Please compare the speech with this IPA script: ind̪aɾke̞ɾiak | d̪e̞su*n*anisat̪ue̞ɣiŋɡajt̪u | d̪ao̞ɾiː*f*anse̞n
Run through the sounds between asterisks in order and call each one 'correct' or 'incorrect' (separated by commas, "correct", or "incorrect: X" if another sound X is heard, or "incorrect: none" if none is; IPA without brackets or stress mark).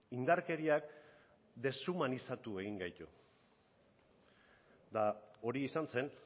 incorrect: m, incorrect: s